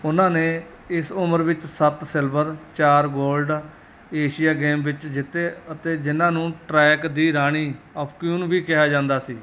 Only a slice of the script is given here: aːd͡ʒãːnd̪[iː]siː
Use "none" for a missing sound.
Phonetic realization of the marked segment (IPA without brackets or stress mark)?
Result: aː